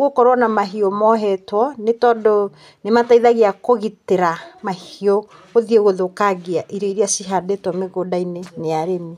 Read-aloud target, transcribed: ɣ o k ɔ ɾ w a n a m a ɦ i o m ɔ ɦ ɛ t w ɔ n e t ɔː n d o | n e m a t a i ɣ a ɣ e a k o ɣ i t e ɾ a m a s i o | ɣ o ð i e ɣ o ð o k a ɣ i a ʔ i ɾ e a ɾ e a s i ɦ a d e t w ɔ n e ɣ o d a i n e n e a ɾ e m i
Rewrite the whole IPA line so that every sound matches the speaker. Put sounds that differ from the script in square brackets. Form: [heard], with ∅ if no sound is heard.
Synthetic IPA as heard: ɣ o k ɔ ɾ w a n a m a ɦ i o m ɔ ɦ ɛ t w ɔ n e t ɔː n d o | n e m a t a i [ð] a ɣ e a k o ɣ i t e ɾ a m a [h] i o | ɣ o ð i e ɣ o ð o k a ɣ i a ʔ i ɾ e [i] ɾ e a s i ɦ a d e t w ɔ [m] e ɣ o d a i n e n e a ɾ e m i